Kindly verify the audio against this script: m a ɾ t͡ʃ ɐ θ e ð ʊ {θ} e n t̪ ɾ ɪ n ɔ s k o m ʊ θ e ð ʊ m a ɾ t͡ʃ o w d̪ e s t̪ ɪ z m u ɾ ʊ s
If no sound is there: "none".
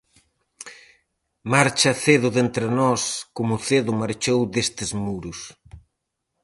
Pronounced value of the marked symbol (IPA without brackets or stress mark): ð